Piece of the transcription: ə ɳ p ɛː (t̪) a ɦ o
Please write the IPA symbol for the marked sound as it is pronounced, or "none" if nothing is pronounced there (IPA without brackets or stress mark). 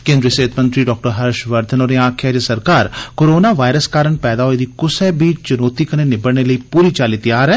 d̪